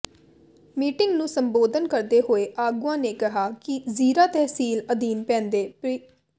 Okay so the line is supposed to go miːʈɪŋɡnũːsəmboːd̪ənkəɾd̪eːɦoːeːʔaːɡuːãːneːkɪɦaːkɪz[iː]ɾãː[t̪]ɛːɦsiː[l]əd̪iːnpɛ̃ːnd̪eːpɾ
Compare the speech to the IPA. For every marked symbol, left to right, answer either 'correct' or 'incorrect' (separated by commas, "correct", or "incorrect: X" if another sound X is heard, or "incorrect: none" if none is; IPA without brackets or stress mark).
correct, correct, correct